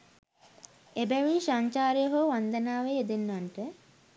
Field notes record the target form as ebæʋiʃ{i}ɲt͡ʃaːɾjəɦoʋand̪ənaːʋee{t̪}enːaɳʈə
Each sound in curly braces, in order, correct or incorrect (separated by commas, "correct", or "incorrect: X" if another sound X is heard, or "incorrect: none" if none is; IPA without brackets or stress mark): incorrect: a, incorrect: d̪